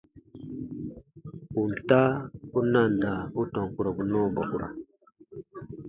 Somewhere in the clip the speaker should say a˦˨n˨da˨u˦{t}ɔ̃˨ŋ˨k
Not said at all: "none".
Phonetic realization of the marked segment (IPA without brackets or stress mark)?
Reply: t